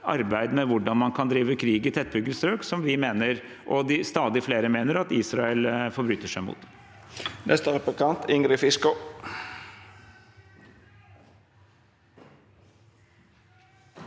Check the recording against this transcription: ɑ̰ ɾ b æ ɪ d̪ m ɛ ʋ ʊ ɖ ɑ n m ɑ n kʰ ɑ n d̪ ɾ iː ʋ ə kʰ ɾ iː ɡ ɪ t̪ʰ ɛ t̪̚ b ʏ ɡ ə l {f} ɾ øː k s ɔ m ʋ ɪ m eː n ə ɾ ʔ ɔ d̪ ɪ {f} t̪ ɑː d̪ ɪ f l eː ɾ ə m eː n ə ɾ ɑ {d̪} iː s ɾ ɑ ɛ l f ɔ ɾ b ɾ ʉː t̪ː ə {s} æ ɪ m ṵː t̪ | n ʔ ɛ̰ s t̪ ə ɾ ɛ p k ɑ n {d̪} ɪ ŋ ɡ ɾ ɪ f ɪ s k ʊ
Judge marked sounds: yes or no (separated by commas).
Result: no, no, no, no, no